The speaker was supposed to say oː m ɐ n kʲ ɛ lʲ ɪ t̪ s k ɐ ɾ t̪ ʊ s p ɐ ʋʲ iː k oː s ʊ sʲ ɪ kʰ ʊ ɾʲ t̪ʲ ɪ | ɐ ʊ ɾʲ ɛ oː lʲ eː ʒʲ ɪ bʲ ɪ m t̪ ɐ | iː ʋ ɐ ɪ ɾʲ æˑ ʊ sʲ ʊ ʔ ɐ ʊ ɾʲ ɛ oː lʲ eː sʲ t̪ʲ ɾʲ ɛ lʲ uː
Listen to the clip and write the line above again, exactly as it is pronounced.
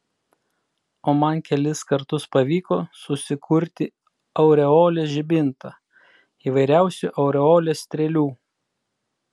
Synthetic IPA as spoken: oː m ɐ n kʲ ɛ lʲ ɪ s k ɐ ɾ t̪ ʊ s p ɐ ʋʲ iː k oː s ʊ sʲ ɪ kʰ ʊ ɾʲ t̪ʲ ɪ | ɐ ʊ ɾʲ ɛ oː lʲ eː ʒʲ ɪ bʲ ɪ n t̪ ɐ | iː ʋ ɐ ɪ ɾʲ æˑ ʊ sʲ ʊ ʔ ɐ ʊ ɾʲ ɛ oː lʲ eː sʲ t̪ʲ ɾʲ ɛ lʲ uː